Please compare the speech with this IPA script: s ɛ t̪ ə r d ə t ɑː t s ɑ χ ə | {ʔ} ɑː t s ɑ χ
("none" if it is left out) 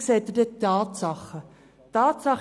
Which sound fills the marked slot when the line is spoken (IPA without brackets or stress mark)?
t